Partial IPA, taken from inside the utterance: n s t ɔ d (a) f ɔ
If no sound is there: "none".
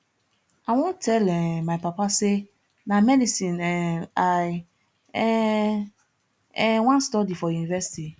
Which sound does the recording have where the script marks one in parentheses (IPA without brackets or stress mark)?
i